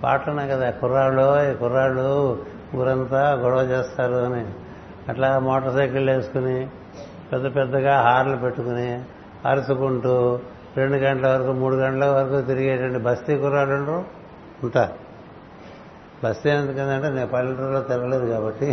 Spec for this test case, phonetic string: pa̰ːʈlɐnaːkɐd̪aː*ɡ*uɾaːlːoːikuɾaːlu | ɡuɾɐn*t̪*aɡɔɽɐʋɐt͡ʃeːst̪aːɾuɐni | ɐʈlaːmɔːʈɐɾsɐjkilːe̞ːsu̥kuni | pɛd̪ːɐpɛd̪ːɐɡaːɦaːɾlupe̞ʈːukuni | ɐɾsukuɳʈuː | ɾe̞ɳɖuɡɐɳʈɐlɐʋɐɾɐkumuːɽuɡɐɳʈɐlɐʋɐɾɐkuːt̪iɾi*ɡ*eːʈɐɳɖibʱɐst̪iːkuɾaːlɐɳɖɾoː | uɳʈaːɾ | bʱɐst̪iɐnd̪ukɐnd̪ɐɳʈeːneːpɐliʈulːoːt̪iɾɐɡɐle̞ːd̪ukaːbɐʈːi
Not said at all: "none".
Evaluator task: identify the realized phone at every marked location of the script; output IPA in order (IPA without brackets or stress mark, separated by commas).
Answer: k, t̪, ɡ